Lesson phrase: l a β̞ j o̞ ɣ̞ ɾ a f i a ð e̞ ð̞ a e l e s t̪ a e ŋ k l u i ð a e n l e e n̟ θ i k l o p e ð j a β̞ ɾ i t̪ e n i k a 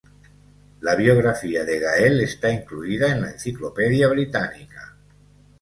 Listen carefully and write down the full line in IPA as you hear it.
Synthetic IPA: l a β̞ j o̞ ɣ̞ ɾ a f i a ð e̞ ɣ̞ a e l e s t̪ a i ŋ k l u i ð a e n l a e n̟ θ i k l o p e ð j a β̞ ɾ i t̪ a n i k a